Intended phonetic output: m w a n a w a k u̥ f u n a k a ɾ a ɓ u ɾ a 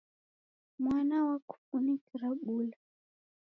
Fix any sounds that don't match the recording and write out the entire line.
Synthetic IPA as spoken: m w a n a w a k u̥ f u n i k i ɾ a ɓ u l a